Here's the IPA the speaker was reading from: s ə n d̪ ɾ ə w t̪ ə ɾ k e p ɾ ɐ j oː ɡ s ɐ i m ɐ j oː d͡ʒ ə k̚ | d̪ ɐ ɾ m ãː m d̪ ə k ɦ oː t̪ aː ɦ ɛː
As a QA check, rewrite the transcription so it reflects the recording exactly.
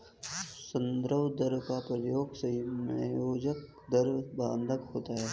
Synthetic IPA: s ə n d̪ ɾ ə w d̪ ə ɾ k a p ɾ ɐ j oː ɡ s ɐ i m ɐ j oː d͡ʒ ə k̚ | d̪ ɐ ɾ b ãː n d̪ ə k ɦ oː t̪ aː ɦ ɛː